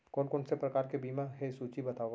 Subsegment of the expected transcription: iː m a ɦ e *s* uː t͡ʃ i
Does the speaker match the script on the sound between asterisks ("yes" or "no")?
yes